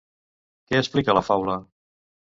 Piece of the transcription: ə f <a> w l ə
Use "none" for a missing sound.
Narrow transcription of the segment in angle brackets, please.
a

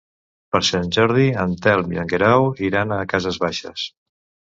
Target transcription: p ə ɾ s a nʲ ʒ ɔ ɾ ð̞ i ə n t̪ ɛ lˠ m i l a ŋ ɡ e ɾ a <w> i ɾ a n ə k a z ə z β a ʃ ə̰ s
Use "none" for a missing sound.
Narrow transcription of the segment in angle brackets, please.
w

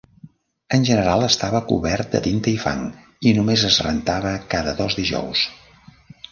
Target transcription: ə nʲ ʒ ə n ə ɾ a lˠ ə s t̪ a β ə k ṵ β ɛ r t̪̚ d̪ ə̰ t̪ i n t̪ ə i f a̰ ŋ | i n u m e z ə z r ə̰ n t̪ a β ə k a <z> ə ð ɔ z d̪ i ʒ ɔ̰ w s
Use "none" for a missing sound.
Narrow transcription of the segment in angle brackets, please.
ð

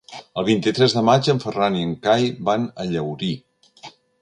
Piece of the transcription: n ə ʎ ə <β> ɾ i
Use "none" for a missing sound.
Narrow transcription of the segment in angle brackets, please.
w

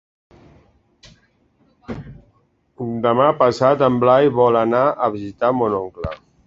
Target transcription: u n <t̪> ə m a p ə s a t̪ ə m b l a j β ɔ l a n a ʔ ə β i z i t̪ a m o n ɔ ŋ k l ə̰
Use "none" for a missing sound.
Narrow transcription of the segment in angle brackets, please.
d̪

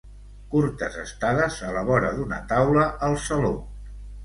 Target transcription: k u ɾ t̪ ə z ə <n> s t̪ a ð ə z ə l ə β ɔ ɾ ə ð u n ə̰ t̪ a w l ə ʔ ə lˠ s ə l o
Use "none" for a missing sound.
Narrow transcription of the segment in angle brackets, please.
none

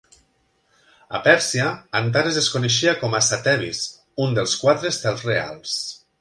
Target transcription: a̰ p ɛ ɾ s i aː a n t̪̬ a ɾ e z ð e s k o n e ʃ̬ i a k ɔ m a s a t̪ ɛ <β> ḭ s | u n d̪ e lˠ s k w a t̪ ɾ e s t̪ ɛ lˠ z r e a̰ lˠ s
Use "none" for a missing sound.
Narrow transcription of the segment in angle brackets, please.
β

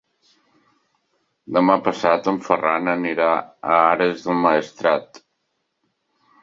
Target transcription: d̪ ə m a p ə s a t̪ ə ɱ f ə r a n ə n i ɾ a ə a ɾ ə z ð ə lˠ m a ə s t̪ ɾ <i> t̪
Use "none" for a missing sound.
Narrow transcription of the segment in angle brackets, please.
a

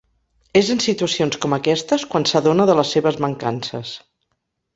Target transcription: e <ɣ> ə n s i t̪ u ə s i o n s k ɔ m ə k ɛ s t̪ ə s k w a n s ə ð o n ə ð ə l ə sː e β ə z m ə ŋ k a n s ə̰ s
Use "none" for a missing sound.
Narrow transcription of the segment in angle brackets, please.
z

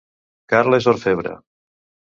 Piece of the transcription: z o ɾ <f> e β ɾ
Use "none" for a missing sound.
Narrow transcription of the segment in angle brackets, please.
f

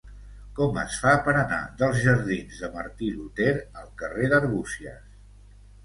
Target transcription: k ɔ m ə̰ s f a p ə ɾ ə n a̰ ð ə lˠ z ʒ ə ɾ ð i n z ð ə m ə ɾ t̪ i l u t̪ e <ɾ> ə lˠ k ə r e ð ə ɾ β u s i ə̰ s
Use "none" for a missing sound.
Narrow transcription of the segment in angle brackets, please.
ɾ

